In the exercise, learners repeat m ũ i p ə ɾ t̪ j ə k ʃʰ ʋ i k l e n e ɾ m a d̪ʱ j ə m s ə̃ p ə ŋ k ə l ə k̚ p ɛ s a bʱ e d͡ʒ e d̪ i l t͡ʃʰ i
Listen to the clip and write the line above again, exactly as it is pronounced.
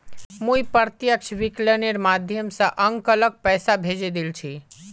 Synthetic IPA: m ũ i p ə ɾ t̪ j ə k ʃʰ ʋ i k l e n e ɾ m a d̪ʱ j ə m s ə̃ ʔ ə ŋ k ə l ə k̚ p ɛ s a bʱ e d͡ʒ e d̪ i l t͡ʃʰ i